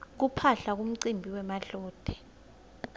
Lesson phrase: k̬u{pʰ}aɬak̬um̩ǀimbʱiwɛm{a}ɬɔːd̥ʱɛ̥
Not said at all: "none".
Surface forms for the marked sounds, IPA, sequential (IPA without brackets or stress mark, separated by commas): pʰ, a